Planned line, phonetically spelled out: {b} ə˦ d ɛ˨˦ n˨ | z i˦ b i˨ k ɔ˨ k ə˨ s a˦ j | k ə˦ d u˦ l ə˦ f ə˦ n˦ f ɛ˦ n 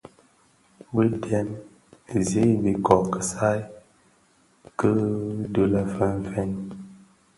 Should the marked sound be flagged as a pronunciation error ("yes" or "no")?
no